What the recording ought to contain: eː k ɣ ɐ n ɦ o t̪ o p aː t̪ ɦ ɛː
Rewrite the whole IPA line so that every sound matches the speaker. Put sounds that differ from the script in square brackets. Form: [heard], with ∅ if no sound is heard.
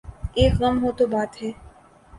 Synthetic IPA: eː k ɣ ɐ [m] ɦ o t̪ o [b] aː t̪ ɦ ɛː

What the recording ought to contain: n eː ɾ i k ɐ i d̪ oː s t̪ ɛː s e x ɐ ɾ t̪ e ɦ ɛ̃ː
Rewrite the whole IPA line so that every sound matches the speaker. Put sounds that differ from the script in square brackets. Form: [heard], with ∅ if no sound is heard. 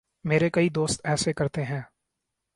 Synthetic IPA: [m] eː ɾ [e] k ɐ i d̪ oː s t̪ ɛː s e [k] ɐ ɾ t̪ e ɦ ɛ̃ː

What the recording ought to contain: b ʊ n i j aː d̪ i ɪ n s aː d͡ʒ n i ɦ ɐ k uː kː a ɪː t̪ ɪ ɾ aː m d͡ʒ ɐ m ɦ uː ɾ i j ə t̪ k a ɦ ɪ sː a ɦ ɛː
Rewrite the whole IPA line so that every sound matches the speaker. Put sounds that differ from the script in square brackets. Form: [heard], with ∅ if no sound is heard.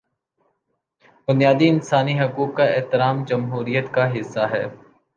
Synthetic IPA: b ʊ n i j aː d̪ i ɪ n s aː [∅] n i ɦ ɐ k uː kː a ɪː t̪ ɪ ɾ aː m d͡ʒ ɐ m ɦ uː ɾ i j ə t̪ k a ɦ ɪ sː a ɦ ɛː

